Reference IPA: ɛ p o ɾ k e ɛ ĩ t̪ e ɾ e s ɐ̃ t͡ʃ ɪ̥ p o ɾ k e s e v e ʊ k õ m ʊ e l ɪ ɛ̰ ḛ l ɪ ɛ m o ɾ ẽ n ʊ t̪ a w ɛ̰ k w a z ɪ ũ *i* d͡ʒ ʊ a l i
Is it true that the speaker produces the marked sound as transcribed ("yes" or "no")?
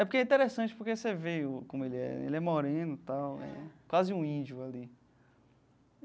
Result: no